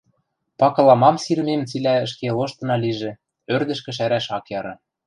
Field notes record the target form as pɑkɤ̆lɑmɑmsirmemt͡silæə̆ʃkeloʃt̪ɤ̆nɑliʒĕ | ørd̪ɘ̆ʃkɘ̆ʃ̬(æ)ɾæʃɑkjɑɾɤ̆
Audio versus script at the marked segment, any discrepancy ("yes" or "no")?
no